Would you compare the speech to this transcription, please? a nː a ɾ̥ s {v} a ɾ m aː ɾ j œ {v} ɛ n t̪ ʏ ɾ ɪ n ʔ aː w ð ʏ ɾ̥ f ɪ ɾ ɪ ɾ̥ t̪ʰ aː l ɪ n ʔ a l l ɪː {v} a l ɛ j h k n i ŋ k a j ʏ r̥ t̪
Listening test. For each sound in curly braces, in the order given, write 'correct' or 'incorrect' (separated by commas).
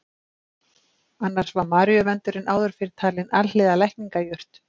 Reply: correct, correct, incorrect